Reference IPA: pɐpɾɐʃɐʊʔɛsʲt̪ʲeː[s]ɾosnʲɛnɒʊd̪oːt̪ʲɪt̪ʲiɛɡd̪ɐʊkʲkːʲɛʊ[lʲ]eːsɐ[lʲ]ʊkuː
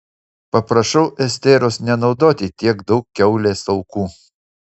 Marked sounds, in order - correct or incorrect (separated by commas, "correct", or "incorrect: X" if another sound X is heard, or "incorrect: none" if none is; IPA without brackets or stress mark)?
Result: incorrect: none, correct, incorrect: none